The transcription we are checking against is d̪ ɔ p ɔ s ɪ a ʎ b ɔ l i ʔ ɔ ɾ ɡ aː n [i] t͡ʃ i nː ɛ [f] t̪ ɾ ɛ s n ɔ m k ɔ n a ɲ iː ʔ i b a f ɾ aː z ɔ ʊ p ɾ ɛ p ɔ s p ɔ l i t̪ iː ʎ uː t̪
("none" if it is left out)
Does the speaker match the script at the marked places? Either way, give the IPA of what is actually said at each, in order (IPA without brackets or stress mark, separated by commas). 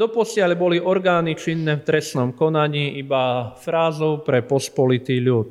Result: i, f